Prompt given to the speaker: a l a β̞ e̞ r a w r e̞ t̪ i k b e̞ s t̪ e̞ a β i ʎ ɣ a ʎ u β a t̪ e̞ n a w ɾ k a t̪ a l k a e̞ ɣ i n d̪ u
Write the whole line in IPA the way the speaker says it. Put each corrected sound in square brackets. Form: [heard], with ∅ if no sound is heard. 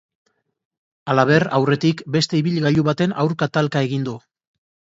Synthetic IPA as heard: a l a β̞ e̞ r a w r e̞ t̪ i k b e̞ s t̪ e̞ [i] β i ʎ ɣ a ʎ u β a t̪ e̞ n a w ɾ k a t̪ a l k a e̞ ɣ i n d̪ u